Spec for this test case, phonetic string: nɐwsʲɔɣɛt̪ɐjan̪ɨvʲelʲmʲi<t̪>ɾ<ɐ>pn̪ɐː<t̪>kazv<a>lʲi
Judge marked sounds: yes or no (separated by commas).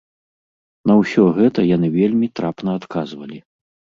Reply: yes, no, yes, no